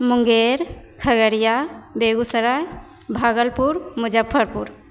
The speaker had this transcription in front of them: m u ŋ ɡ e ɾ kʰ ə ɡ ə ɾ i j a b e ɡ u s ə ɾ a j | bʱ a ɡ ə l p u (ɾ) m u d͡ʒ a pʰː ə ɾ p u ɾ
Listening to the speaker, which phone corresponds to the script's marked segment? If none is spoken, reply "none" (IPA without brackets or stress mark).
ɾ